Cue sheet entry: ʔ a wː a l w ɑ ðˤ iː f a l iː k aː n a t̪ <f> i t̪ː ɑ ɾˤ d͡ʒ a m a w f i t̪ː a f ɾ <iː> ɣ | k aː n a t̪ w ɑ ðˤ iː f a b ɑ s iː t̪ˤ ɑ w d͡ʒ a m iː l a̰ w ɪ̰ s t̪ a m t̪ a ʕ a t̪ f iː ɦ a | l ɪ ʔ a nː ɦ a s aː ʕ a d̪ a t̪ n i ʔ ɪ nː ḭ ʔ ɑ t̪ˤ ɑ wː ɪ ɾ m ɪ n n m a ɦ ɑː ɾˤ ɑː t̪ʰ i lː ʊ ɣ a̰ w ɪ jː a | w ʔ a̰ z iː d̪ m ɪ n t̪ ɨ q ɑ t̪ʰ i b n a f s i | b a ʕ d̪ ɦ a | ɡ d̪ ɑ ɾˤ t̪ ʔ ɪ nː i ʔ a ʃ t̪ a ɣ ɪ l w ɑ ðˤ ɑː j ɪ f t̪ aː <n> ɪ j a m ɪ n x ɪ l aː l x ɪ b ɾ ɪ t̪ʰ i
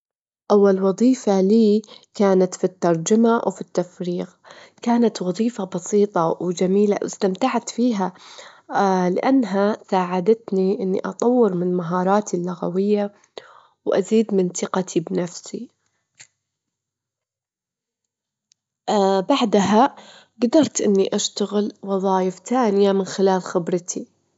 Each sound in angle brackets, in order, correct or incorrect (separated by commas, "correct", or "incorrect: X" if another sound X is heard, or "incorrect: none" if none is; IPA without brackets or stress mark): correct, correct, correct